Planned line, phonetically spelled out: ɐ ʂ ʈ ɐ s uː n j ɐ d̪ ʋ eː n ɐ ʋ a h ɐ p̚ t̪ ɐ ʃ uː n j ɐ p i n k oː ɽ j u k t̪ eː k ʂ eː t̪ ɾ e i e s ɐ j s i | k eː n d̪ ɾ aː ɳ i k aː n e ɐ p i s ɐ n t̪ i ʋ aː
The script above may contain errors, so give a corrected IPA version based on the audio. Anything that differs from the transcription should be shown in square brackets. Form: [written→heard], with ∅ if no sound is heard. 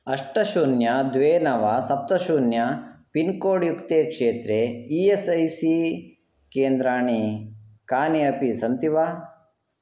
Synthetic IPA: ɐ ʂ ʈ ɐ [s→ʃ] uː n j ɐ d̪ ʋ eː n ɐ ʋ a [h→s] ɐ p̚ t̪ ɐ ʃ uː n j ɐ p i n k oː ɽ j u k t̪ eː k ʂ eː t̪ ɾ e i e s ɐ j s i | k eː n d̪ ɾ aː ɳ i k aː n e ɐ p i s ɐ n t̪ i ʋ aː